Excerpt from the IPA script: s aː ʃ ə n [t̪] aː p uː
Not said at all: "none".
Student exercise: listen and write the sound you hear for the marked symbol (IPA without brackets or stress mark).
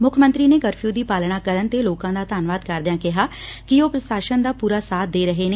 d̪